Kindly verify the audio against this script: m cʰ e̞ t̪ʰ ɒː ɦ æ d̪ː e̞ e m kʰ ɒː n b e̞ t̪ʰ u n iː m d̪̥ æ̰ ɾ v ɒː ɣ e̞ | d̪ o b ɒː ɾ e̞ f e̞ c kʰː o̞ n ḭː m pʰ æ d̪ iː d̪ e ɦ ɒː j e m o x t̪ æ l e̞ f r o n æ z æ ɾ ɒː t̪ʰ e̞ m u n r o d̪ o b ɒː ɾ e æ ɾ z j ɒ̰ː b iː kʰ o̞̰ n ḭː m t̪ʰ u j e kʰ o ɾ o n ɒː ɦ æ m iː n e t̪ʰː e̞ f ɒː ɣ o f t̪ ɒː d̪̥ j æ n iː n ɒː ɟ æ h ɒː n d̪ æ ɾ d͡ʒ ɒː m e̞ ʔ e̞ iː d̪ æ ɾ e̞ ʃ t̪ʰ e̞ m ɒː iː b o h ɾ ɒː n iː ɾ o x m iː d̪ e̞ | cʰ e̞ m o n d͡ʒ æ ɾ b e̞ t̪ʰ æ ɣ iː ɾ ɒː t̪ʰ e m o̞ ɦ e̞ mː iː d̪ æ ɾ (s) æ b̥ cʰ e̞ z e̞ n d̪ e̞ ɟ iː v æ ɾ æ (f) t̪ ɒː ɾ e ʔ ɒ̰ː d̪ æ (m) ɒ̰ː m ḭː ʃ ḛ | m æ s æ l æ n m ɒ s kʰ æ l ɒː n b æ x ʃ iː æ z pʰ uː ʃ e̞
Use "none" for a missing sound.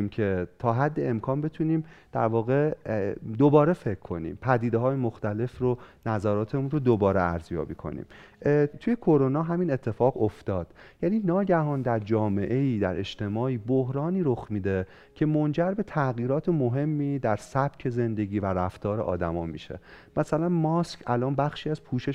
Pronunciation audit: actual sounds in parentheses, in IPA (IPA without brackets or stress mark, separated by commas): s, f, m